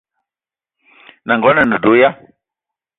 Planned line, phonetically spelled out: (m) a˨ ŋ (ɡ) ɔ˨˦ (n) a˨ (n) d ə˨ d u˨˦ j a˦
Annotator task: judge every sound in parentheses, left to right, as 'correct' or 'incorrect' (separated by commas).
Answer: incorrect, correct, correct, correct